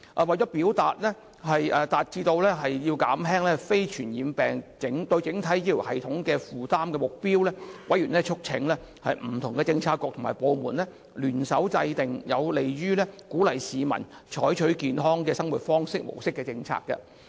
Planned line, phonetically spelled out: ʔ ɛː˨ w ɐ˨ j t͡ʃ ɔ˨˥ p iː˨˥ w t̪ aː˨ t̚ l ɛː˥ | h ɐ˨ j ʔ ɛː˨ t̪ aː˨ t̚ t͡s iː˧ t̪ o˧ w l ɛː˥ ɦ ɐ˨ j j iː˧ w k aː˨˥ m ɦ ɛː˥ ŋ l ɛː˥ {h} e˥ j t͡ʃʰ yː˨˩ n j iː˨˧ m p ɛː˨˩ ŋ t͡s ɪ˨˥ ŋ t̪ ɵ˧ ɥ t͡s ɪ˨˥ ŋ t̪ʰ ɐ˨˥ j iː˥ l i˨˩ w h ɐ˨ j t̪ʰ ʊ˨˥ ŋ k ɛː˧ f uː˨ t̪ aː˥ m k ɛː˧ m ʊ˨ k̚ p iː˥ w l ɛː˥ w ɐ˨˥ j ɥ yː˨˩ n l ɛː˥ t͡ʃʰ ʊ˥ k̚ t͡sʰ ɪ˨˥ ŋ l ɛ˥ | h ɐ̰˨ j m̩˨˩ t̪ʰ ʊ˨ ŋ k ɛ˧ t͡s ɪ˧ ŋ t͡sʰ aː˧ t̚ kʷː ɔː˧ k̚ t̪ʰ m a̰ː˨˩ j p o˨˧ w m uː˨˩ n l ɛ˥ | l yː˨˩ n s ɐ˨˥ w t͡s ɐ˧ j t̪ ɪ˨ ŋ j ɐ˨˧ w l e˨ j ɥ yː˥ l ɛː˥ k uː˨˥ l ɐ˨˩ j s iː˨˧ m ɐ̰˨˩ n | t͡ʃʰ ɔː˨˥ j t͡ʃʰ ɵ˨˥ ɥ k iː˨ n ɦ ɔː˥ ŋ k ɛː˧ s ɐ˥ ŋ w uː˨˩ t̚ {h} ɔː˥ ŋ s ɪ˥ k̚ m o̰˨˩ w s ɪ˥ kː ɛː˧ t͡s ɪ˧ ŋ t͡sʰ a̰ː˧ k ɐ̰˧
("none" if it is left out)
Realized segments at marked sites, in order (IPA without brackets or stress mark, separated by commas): f, f